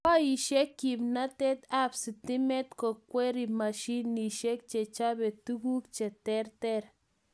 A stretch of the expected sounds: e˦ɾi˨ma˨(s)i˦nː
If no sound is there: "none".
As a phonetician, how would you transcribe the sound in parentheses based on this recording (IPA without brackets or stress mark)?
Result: ʃ